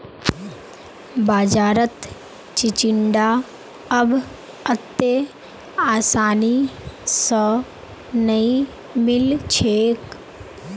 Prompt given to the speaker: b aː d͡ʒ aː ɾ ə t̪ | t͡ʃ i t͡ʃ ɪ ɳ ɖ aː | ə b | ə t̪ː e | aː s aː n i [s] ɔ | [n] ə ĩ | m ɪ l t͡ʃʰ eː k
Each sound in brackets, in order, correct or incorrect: correct, correct

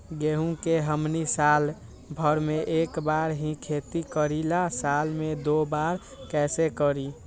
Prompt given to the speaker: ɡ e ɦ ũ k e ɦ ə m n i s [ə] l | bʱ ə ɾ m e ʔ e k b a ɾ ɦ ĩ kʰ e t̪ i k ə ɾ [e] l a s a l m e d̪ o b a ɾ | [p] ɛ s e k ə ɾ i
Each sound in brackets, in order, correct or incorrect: incorrect: a, incorrect: i, incorrect: k

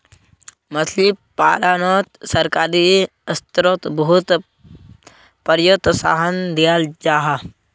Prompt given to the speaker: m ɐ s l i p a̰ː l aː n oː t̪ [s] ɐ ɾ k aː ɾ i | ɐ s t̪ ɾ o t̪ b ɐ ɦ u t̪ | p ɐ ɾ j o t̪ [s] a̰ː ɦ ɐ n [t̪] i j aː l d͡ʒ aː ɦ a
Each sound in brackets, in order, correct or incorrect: correct, correct, incorrect: d̪

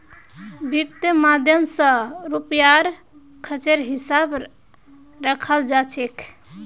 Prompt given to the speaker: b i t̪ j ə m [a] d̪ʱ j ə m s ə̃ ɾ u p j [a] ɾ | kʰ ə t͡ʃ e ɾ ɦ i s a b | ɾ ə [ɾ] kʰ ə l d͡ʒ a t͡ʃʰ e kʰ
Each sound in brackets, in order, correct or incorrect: correct, correct, incorrect: none

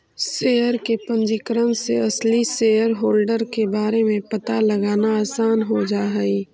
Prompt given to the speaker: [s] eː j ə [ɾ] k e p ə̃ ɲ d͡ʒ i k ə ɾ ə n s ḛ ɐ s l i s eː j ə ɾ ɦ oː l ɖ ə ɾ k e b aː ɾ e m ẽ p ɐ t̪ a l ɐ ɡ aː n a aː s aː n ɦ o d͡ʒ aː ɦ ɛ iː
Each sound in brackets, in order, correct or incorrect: correct, correct

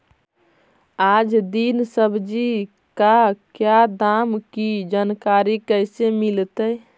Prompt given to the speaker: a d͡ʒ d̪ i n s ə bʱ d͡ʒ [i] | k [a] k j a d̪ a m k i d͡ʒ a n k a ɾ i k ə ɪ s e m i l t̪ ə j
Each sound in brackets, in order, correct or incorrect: correct, correct

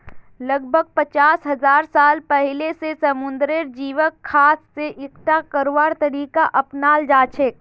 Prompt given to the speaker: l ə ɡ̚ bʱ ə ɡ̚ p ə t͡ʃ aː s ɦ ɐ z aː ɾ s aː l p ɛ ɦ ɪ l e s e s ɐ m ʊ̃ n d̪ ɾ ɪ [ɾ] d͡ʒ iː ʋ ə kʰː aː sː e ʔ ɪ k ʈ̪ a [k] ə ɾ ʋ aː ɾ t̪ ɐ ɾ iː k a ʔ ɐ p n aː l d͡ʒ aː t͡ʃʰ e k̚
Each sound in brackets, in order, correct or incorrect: correct, correct

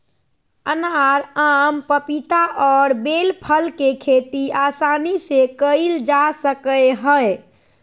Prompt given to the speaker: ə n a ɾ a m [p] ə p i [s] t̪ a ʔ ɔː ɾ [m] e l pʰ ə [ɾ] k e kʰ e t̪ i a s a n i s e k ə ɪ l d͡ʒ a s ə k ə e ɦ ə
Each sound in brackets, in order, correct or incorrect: correct, incorrect: none, incorrect: b, incorrect: l

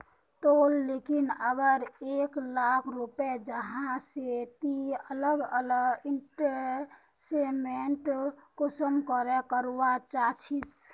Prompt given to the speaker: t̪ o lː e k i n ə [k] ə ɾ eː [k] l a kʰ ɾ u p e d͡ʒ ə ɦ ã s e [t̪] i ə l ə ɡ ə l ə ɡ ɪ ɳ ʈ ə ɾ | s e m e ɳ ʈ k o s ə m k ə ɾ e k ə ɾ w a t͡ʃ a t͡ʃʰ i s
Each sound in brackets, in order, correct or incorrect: incorrect: ɡ, correct, correct

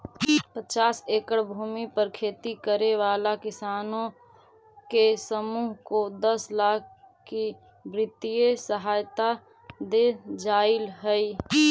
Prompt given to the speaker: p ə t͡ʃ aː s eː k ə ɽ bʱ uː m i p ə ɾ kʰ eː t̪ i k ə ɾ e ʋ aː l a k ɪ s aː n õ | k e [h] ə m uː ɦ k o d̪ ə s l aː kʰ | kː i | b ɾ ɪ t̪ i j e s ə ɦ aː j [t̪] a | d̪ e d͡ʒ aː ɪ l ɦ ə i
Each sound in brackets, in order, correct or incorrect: incorrect: s, correct

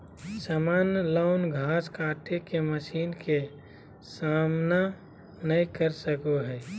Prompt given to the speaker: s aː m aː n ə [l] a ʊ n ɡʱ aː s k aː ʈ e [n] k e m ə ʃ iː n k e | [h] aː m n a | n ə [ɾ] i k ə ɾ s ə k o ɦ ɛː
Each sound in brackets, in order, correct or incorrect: correct, incorrect: none, incorrect: s, incorrect: none

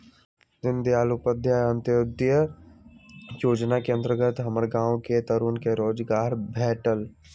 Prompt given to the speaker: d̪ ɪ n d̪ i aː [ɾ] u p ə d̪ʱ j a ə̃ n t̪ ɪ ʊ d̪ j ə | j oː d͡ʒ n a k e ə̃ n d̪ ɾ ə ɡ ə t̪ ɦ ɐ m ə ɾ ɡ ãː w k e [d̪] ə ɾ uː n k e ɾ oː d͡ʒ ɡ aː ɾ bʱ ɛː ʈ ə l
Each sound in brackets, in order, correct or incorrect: incorrect: l, incorrect: t̪

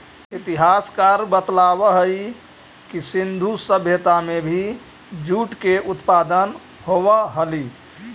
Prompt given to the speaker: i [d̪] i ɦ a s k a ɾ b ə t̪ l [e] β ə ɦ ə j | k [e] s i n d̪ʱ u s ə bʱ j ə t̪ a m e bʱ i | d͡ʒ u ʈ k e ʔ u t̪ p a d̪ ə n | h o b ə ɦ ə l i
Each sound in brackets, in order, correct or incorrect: incorrect: t̪, incorrect: a, incorrect: i

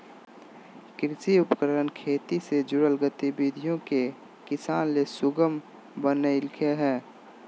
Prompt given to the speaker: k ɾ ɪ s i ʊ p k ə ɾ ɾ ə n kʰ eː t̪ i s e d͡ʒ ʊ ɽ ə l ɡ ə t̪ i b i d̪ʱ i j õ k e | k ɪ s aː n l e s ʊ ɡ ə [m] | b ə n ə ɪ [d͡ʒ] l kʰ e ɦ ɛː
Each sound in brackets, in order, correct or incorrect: correct, incorrect: none

